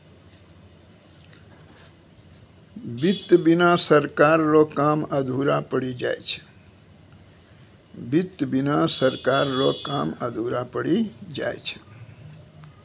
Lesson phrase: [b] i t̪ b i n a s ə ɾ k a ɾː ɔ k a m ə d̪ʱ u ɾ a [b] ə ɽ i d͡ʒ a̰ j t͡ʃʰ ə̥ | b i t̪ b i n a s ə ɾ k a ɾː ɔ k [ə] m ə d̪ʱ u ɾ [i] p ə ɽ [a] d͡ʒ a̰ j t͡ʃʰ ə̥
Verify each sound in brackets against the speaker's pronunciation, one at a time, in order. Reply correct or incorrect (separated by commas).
correct, incorrect, incorrect, incorrect, incorrect